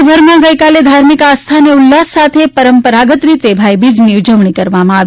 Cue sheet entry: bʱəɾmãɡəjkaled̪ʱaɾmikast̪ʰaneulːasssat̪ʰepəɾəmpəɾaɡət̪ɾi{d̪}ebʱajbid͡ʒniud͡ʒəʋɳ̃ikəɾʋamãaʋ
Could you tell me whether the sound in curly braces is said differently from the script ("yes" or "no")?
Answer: yes